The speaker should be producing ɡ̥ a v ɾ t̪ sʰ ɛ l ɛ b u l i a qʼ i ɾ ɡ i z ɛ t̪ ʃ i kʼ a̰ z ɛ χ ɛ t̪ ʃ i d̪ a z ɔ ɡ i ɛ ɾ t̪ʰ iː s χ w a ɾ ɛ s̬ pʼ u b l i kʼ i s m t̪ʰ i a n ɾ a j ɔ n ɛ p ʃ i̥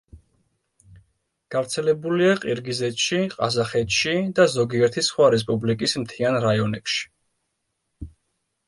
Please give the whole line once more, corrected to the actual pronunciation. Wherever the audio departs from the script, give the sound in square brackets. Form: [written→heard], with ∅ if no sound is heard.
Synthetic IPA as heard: ɡ̥ a v ɾ t̪ sʰ ɛ l ɛ b u l i a qʼ i ɾ ɡ i z ɛ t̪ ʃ i [kʼ→qʼ] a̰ z [ɛ→a] χ ɛ t̪ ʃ i d̪ a z ɔ ɡ i ɛ ɾ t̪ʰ [iː→i] s χ w a ɾ ɛ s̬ pʼ u b l i kʼ i s m t̪ʰ i a n ɾ a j ɔ n ɛ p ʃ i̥